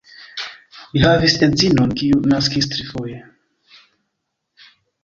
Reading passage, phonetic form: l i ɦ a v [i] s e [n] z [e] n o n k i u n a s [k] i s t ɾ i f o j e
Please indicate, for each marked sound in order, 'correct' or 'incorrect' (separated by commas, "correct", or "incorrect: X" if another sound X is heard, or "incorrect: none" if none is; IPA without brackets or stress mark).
correct, correct, incorrect: i, correct